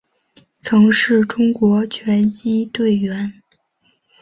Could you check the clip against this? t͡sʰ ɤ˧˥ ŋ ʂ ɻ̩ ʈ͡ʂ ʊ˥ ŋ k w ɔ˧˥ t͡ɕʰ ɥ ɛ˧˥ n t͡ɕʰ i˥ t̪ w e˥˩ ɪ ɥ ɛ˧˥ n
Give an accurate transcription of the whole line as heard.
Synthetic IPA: t͡sʰ ɤ˧˥ ŋ ʂ ɻ̩ ʈ͡ʂ ʊ˥ ŋ k w ɔ˧˥ t͡ɕʰ ɥ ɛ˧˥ n t͡ɕ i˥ t̪ w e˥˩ ɪ ɥ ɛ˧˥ n

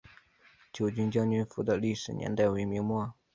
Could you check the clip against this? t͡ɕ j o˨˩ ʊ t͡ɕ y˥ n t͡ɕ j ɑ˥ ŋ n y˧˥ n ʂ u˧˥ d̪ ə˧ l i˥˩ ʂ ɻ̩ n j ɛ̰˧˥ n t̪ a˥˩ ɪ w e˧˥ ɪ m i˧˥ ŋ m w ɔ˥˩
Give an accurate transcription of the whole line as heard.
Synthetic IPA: t͡ɕ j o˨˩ ʊ t͡ɕ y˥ n t͡ɕ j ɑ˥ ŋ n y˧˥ n f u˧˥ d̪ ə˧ l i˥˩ ʂ ɻ̩ n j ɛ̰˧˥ n t̪ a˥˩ ɪ w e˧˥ ɪ m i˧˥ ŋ m w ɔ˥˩

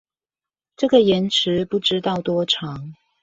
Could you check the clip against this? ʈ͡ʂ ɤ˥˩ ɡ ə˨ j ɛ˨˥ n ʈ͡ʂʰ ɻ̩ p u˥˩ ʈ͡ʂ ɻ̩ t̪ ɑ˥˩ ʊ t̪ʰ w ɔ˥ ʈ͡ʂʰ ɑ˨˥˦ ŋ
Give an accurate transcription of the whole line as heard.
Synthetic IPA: ʈ͡ʂ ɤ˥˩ ɡ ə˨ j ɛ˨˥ n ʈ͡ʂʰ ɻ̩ p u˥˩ ʈ͡ʂ ɻ̩ t̪ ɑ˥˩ ʊ t̪ w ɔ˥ ʈ͡ʂʰ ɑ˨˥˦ ŋ

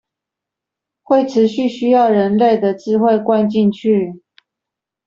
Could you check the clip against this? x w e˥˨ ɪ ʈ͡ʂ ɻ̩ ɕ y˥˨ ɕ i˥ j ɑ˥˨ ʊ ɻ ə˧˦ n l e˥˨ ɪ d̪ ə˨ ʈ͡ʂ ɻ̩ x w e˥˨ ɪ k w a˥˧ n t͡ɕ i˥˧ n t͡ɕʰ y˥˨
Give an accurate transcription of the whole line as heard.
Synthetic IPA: x w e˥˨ ɪ ʈ͡ʂʰ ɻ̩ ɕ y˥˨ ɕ y˥ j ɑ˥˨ ʊ ɻ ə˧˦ n l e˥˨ ɪ d̪ ə˨ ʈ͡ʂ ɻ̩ x w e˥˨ ɪ k w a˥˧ n t͡ɕ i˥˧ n t͡ɕʰ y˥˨

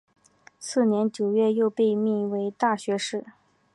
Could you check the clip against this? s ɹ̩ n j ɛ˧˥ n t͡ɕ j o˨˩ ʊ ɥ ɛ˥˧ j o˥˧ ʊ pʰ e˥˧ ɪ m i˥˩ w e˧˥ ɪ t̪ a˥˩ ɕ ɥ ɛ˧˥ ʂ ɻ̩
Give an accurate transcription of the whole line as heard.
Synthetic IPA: s ɹ̩ n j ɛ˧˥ n t͡ɕ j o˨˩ ʊ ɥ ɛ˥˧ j o˥˧ ʊ p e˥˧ ɪ m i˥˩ w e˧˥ ɪ t̪ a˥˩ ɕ ɥ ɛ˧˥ ʂ ɻ̩

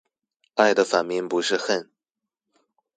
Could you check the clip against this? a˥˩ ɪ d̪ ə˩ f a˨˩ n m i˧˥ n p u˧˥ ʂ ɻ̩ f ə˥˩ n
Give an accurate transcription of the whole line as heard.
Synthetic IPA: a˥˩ ɪ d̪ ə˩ f a˨˩ n m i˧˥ ŋ p u˧˥ ʂ ɻ̩ x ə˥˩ n

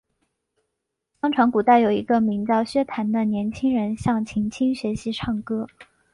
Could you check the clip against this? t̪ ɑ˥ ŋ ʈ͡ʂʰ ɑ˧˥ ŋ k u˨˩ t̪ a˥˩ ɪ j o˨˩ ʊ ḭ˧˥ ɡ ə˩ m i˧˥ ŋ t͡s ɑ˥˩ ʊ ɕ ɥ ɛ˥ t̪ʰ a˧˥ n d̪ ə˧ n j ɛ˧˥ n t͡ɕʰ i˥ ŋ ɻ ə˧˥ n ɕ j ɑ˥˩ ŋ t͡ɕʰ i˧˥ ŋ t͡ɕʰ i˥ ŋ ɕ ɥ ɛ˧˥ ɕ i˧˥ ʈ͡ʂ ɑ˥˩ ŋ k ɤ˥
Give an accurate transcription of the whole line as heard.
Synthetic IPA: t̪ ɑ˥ ŋ ʈ͡ʂʰ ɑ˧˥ ŋ k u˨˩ t̪ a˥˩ ɪ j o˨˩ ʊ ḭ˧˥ ɡ ə˧ m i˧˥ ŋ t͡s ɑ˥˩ ʊ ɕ ɥ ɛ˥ t̪ʰ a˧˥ n d̪ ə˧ n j ɛ˧˥ n t͡ɕʰ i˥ ŋ ɻ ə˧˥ n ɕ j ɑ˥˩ ŋ t͡ɕʰ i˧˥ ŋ t͡ɕʰ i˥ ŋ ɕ ɥ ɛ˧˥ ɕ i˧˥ ʈ͡ʂʰ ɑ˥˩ ŋ k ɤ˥

